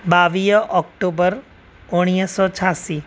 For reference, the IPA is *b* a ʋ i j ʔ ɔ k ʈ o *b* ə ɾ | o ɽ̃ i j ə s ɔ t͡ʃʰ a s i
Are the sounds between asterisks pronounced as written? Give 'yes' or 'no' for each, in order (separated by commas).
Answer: yes, yes